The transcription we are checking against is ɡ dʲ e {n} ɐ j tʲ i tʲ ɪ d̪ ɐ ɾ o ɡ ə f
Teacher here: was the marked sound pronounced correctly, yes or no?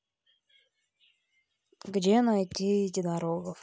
yes